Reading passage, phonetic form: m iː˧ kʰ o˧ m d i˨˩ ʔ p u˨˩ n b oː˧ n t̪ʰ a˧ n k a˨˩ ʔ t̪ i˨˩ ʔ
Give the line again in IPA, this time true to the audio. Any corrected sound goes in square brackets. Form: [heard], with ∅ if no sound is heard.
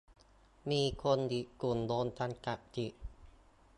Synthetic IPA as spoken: m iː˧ kʰ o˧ [n] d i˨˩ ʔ [k] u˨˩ n [d] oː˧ n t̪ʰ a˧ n k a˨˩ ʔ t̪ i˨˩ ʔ